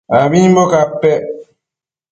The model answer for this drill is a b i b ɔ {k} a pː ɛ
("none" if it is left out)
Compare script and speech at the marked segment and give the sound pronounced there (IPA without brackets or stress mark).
k